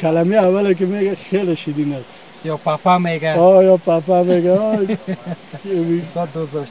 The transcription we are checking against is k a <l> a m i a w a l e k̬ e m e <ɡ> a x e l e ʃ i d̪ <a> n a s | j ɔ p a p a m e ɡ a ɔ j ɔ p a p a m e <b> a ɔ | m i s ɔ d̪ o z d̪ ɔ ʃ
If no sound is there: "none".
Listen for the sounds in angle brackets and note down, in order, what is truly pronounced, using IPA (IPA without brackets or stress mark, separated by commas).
l, ɡ, i, ɡ